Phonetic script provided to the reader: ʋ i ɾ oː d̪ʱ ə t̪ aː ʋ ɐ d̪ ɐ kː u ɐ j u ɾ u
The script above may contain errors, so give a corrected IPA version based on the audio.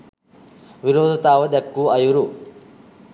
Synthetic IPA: ʋ i ɾ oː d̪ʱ ɐ t̪ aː ʋ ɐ d̪ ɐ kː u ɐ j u ɾ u